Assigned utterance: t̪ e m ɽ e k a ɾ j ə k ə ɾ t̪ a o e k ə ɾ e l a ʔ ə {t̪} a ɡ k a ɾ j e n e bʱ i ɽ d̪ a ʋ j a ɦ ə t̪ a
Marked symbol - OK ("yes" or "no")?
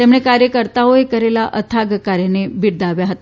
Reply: no